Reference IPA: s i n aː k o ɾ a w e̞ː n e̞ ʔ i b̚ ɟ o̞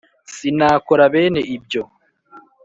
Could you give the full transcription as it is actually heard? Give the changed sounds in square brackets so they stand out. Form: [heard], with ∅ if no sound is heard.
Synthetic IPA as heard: s i n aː k o ɾ a [β] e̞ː n e̞ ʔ i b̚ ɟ o̞